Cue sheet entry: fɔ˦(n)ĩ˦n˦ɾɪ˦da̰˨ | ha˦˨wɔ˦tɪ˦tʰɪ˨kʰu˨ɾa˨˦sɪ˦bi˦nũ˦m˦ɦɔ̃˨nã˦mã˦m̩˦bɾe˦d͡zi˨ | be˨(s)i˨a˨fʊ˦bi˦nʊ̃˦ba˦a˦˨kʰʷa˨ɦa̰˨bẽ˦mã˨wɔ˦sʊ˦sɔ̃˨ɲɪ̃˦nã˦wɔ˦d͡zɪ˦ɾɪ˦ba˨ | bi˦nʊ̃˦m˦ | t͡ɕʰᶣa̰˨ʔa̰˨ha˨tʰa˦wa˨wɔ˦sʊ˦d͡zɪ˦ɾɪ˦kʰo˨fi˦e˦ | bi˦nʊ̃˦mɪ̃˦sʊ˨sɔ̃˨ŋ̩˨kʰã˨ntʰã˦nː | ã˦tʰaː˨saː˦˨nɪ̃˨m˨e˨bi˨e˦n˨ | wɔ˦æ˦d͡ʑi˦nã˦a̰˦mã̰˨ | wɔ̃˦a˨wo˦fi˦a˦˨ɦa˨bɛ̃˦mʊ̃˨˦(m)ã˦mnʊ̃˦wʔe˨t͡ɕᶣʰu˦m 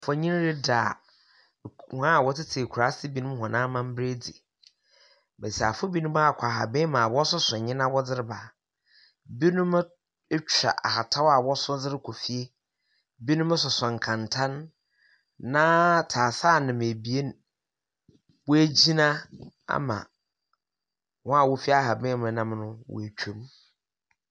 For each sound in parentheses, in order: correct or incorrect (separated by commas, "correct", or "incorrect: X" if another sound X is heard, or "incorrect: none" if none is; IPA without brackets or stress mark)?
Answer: incorrect: ɲ, correct, incorrect: n